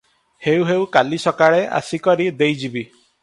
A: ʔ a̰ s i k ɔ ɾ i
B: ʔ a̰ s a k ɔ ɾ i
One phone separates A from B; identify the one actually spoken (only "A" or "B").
A